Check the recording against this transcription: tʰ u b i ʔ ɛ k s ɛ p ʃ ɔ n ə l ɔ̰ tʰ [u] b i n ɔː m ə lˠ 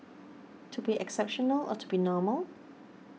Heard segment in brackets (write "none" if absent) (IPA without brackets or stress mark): u